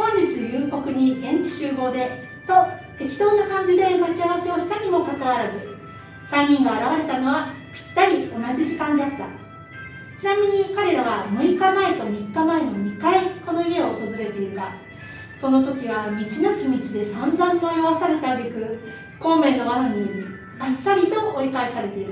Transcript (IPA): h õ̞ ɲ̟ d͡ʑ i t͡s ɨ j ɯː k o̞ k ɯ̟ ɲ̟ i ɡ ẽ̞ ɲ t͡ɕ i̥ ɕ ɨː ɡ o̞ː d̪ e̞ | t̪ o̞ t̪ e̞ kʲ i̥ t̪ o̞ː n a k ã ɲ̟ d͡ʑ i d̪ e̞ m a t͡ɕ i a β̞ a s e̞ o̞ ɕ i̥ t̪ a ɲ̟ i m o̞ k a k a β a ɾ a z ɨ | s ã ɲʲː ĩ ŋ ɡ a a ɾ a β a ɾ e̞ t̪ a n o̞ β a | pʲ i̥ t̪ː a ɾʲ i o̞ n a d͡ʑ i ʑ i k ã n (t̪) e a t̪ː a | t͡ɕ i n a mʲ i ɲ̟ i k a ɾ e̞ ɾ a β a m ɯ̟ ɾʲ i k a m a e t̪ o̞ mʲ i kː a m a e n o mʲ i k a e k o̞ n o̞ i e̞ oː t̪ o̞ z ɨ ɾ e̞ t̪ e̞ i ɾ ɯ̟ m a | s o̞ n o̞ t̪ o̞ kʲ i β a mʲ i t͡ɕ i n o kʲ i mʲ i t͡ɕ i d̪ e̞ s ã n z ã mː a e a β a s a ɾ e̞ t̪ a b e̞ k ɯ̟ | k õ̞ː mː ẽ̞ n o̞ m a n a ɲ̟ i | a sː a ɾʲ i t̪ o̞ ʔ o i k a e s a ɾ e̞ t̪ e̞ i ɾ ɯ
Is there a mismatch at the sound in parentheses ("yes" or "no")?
yes